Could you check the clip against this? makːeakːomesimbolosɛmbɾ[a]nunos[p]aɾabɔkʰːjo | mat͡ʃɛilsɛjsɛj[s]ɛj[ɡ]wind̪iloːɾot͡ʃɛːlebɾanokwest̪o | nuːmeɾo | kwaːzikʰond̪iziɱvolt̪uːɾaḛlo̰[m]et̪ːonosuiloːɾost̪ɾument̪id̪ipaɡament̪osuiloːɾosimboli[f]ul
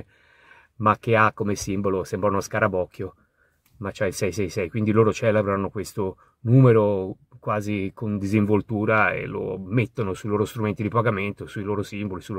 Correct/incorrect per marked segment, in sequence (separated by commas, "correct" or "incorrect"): correct, incorrect, correct, incorrect, correct, incorrect